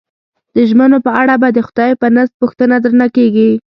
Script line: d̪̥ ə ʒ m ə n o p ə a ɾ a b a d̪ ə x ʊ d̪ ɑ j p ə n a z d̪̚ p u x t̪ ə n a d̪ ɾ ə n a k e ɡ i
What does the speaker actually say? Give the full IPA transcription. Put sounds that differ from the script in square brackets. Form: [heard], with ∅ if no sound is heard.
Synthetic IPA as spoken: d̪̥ ə ʒ m ə n o p ə a [ɽ] a b a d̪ ə x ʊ d̪ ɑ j p ə n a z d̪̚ p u x t̪ ə n a d̪ ɾ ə n a k e ɡ i